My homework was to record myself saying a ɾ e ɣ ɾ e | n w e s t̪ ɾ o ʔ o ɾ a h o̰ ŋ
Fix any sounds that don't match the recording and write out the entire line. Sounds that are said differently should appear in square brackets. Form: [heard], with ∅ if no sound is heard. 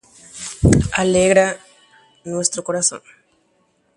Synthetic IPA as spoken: a [l] e ɣ ɾ [a] | n w e s t̪ ɾ o [k] o ɾ a [s] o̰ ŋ

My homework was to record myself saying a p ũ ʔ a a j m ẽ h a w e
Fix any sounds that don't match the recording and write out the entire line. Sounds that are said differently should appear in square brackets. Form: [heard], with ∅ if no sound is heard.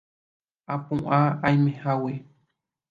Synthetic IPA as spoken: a p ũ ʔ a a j m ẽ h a w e

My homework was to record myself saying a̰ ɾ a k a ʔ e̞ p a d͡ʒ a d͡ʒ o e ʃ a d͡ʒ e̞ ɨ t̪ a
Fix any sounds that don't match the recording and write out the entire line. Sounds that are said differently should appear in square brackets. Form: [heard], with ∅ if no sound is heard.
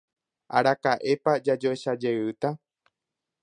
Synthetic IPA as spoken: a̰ ɾ a k a ʔ e̞ p a d͡ʒ a d͡ʒ o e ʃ a d͡ʒ e̞ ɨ t̪ a

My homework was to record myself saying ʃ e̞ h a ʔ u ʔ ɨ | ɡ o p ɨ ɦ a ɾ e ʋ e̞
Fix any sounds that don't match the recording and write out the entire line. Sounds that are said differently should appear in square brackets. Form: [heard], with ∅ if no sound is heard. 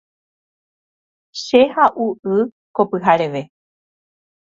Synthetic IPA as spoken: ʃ e̞ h a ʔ u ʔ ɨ | [k] o p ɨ ɦ a ɾ e ʋ e̞

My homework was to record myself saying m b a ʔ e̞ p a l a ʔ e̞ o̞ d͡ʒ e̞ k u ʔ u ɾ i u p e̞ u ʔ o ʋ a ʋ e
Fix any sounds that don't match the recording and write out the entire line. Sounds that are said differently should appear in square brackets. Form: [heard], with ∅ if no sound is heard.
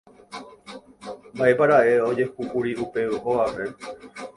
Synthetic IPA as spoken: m b a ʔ e̞ p a [ɾ] a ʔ e̞ o̞ d͡ʒ e̞ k u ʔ u ɾ i u p e̞ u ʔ o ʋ a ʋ e

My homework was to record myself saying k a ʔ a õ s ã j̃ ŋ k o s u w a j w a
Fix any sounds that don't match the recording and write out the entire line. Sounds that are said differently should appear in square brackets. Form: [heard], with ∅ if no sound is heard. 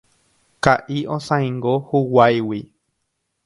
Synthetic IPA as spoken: k a ʔ [i] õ s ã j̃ ŋ [ɡ] o [h] u w a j w [i]

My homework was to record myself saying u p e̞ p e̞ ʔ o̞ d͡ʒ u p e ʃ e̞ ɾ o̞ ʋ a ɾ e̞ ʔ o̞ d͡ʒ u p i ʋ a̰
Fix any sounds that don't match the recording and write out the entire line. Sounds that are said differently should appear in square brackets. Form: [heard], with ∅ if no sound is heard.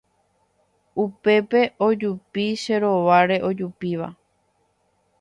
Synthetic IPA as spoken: u p e̞ p e̞ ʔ o̞ d͡ʒ u p [i] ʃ e̞ ɾ o̞ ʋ a ɾ e̞ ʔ o̞ d͡ʒ u p i ʋ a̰

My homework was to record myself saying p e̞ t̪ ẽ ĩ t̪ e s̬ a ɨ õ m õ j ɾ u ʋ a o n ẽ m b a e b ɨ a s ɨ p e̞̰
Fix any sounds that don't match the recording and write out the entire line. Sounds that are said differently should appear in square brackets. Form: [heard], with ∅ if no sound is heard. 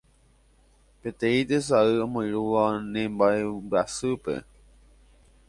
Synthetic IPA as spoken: p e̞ t̪ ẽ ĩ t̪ e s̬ a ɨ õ m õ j ɾ u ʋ a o n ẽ m b a e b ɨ a s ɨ p e̞̰

